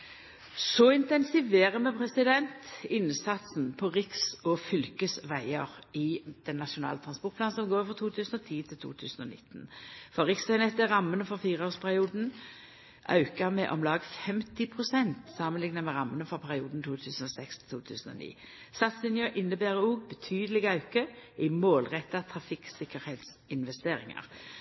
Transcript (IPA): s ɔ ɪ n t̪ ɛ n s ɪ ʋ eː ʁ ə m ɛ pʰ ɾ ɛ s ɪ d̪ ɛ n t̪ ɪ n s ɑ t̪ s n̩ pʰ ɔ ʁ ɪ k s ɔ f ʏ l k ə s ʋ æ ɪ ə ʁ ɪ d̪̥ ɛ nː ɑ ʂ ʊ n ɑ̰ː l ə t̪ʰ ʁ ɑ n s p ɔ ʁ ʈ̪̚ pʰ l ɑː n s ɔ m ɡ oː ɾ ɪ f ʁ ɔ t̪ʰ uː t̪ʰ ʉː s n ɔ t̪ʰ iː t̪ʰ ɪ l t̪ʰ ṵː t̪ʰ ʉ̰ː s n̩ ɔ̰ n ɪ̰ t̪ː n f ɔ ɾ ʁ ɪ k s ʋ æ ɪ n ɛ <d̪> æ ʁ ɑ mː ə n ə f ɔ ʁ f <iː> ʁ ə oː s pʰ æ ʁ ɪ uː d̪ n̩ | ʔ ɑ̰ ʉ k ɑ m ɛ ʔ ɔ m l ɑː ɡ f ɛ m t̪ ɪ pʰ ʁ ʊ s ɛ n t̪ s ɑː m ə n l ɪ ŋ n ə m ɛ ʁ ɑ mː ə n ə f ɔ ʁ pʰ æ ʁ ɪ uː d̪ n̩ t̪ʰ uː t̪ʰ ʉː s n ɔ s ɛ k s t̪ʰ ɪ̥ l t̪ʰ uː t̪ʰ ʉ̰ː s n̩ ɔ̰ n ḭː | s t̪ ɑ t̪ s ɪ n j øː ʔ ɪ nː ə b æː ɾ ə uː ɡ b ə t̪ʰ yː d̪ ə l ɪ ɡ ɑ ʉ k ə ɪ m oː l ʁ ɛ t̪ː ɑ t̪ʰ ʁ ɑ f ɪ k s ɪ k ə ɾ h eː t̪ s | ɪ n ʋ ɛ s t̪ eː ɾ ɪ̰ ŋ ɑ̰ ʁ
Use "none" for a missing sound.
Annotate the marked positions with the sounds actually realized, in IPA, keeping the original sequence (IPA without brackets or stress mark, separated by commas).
t̪, iː